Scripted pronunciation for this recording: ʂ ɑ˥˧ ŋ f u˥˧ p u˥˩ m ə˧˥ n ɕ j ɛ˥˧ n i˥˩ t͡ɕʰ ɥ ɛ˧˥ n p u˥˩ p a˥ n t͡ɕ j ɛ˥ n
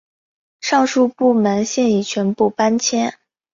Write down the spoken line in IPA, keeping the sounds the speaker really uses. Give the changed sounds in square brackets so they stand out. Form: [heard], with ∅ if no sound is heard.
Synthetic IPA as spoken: ʂ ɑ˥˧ ŋ [ʂ] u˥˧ p u˥˩ m ə˧˥ n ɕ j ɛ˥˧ n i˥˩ t͡ɕʰ ɥ ɛ˧˥ n p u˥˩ p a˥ n [t͡ɕʰ] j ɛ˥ n